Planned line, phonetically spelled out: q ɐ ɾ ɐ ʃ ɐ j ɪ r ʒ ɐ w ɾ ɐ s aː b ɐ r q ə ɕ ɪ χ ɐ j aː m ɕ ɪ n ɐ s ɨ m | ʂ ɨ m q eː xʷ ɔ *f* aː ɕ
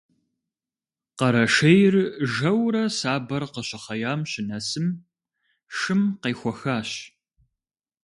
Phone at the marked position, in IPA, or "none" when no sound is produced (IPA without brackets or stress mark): x